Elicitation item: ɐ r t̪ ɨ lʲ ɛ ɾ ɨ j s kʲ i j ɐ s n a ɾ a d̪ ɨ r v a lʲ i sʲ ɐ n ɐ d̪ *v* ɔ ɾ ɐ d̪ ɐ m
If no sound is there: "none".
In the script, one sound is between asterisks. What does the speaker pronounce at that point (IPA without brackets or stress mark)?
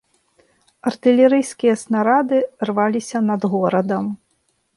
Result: ɣ